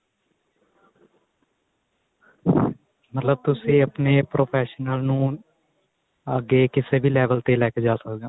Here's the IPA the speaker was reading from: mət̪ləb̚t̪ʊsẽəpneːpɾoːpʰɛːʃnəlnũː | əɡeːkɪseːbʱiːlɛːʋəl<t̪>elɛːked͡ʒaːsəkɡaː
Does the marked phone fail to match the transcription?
no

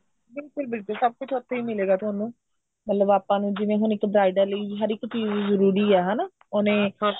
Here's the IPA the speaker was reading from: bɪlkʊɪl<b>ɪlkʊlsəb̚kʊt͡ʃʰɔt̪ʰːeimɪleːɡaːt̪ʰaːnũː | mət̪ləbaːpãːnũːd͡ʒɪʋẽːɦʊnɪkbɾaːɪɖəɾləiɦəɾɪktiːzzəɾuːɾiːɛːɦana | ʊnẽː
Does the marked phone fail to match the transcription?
no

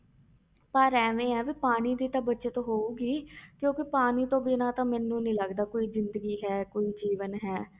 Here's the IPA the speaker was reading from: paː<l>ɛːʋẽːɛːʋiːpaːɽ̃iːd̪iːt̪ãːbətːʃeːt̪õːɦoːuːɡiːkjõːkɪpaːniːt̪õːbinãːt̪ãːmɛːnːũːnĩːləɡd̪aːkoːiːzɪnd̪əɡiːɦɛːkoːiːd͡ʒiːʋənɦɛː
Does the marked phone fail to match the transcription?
yes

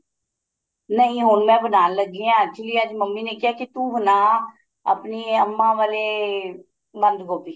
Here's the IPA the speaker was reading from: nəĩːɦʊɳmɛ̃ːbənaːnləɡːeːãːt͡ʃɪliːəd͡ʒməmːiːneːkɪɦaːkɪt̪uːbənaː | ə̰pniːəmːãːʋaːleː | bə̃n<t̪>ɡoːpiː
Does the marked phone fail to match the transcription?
yes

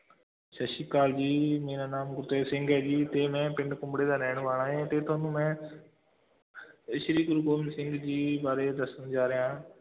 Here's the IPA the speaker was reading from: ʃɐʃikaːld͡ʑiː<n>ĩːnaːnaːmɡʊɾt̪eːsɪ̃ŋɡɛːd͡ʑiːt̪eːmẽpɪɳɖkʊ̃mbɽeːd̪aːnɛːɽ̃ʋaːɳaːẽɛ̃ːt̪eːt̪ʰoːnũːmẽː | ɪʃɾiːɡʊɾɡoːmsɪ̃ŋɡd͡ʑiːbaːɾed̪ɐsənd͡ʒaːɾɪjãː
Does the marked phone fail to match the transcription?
yes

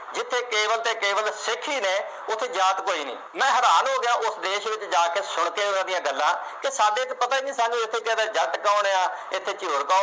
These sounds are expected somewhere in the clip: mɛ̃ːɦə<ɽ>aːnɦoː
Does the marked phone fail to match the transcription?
yes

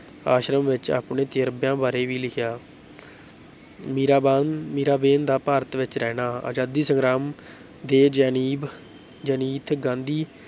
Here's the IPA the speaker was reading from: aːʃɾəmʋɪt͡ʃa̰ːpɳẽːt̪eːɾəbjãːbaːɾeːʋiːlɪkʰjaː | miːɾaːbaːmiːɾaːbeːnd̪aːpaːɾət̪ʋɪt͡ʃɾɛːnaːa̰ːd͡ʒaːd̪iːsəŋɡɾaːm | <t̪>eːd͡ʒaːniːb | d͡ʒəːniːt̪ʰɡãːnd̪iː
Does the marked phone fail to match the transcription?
yes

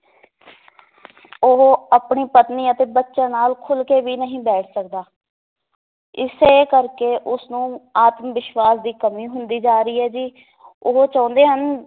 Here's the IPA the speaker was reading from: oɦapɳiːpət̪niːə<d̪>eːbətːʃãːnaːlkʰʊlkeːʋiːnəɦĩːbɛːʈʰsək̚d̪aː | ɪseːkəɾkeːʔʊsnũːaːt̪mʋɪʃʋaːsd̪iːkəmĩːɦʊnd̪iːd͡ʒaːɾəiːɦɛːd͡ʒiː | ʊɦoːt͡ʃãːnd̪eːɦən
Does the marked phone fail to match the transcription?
yes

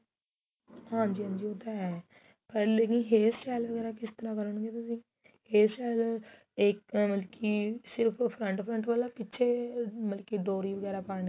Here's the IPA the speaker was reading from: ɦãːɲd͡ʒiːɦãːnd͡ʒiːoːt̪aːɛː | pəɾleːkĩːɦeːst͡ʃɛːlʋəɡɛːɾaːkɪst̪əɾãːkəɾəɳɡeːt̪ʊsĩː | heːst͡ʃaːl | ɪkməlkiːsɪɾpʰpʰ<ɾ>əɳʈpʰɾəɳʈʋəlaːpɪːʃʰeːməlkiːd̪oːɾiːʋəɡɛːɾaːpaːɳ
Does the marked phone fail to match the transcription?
no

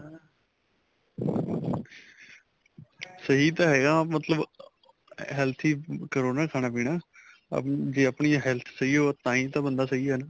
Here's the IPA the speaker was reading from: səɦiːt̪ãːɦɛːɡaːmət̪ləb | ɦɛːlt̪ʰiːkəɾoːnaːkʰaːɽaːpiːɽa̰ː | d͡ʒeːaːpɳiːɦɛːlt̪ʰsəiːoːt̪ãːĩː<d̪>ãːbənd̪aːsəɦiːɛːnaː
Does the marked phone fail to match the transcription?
yes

